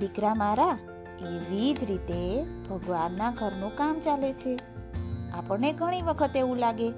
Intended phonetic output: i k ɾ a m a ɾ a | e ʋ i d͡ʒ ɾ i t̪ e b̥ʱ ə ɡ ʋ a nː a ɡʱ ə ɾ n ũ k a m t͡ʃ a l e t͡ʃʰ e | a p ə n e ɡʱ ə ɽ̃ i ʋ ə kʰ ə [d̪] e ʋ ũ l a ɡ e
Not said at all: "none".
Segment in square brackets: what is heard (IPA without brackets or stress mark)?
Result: t̪